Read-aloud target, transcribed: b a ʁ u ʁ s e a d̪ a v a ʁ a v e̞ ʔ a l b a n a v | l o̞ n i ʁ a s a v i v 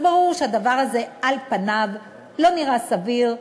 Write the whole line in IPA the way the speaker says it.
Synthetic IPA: b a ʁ u ʁ ʃ e a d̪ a v a ʁ a z e̞ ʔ a l p a n a v | l o̞ n i ʁ a s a v i ʁ